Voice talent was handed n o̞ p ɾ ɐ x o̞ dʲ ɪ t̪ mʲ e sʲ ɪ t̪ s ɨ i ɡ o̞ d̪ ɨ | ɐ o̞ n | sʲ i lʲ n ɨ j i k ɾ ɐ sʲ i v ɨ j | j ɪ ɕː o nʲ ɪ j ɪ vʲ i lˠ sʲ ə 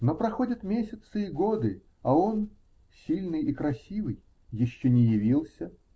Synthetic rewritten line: n o̞ p ɾ ɐ x o̞ dʲ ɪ t̪ mʲ e sʲ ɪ t̪ s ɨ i ɡ o̞ d̪ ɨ | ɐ o̞ n | sʲ i lʲ n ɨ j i k ɾ ɐ sʲ i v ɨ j | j ɪ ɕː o nʲ ɪ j ɪ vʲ i lˠ sʲ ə